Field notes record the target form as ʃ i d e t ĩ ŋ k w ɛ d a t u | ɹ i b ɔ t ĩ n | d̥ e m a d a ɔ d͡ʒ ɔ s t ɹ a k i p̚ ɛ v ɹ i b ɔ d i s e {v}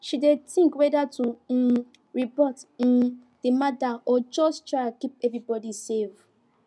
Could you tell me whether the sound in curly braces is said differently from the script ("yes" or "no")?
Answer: no